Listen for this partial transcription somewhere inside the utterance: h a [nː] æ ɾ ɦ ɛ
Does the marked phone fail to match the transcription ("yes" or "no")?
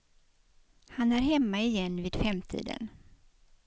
yes